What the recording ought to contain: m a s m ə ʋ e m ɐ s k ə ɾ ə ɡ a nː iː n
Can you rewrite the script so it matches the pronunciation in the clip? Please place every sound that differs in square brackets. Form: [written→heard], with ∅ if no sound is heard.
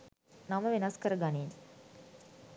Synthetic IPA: [m→n] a [s→∅] m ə ʋ e [m→n] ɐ s k ə ɾ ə ɡ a [nː→n] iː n